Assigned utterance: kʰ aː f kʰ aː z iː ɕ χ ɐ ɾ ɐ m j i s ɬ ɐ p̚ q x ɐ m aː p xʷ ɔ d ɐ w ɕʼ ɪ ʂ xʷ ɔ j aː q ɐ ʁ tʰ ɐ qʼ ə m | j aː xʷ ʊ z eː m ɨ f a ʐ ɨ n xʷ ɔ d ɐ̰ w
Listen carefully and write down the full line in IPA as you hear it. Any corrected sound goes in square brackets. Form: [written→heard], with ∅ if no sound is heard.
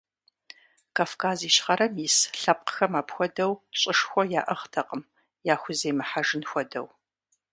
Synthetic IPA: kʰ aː f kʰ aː z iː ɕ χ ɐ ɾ ɐ m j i s ɬ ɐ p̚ q x ɐ m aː p xʷ ɔ d ɐ w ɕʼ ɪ ʂ xʷ ɔ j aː [q→ʔ] ɐ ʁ tʰ ɐ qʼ ə m | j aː xʷ ʊ z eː m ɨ [f→ħ] a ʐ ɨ n xʷ ɔ d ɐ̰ w

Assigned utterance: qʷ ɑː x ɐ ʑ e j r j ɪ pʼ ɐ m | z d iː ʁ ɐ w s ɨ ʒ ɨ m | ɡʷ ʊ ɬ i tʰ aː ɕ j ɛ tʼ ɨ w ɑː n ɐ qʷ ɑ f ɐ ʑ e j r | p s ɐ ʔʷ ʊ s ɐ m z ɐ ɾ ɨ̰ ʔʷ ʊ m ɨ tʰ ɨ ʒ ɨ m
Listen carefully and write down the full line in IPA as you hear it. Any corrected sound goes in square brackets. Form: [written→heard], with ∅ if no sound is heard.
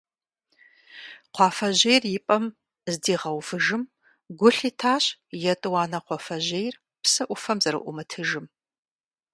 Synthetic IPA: qʷ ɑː [x→f] ɐ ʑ e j r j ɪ pʼ ɐ m | z d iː ʁ ɐ w [s→f] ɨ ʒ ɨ m | ɡʷ ʊ ɬ i tʰ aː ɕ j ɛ tʼ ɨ w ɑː n ɐ qʷ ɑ f ɐ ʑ e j r | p s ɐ ʔʷ ʊ [s→f] ɐ m z ɐ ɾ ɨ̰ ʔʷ ʊ m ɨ tʰ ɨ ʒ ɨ m

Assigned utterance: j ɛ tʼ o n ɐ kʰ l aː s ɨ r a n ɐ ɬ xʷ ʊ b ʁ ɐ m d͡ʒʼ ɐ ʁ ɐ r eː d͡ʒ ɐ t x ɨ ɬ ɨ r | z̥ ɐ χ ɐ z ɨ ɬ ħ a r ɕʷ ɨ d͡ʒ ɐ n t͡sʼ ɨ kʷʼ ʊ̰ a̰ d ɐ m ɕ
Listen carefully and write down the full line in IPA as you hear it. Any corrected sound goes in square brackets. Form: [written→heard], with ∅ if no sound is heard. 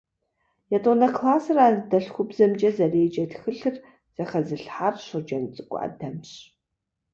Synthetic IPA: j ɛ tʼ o n ɐ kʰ l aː s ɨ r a [n→d] ɐ ɬ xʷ ʊ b [ʁ→z] ɐ m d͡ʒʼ ɐ [ʁ→z] ɐ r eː d͡ʒ ɐ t x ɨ ɬ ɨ r | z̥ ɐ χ ɐ z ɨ ɬ ħ a r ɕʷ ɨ d͡ʒ ɐ n t͡sʼ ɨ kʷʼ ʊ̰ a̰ d ɐ m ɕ

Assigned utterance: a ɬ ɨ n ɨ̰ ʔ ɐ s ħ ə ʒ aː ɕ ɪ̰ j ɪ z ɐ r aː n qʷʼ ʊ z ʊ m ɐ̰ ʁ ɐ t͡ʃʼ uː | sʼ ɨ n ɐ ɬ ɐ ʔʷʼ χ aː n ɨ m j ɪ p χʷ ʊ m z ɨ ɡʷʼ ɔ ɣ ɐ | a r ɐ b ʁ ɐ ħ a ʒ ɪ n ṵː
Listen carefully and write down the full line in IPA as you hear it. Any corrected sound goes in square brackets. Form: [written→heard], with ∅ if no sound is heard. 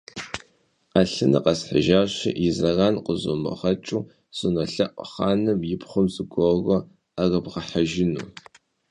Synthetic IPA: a ɬ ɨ n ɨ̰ [ʔ→q] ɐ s ħ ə ʒ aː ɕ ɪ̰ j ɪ z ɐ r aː n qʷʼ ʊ z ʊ m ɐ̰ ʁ ɐ t͡ʃʼ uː | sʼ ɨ n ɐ ɬ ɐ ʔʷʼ χ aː n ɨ m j ɪ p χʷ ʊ m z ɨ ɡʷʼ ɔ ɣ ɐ | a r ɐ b ʁ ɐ ħ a ʒ ɪ n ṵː

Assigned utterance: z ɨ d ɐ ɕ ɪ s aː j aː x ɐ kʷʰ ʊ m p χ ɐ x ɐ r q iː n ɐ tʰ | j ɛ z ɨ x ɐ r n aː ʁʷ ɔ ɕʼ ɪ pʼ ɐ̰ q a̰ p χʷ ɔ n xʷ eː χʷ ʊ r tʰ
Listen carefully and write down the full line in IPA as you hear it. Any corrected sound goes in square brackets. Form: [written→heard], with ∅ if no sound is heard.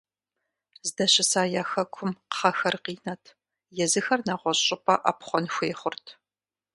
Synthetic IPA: z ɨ d ɐ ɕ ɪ s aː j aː x ɐ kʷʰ ʊ m [p→q] χ ɐ x ɐ r q iː n ɐ tʰ | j ɛ z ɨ x ɐ r n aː ʁʷ ɔ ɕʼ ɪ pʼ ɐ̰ [q→ʔ] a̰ p χʷ ɔ n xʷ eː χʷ ʊ r tʰ

